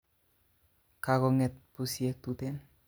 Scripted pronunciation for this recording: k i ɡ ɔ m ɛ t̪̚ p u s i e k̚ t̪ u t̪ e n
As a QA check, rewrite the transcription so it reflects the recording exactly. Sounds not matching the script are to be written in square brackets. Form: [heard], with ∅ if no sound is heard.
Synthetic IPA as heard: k [a] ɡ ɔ [ŋ] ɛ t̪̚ p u s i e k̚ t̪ u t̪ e n